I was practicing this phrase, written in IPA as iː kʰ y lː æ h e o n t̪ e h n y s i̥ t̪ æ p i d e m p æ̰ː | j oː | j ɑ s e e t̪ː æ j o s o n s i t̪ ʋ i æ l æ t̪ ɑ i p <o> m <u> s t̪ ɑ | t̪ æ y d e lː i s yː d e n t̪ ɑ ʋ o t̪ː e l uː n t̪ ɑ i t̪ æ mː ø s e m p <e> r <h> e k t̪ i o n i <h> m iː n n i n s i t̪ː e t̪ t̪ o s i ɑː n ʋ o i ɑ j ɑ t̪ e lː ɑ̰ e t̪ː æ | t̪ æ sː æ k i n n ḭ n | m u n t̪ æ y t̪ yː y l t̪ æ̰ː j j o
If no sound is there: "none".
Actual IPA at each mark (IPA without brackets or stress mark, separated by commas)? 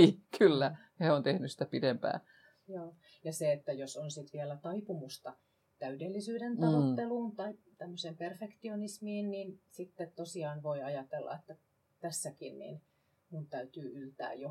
u, u, e, f, s